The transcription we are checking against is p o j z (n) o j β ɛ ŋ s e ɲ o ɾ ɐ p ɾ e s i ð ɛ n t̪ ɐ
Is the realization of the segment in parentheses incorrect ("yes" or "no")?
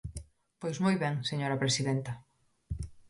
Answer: yes